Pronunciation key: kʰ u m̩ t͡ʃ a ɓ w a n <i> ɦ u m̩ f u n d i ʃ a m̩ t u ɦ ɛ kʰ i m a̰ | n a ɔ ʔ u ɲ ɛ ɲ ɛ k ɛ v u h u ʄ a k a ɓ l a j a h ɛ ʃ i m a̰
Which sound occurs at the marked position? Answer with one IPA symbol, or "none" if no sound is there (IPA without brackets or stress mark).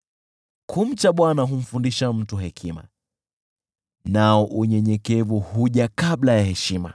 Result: a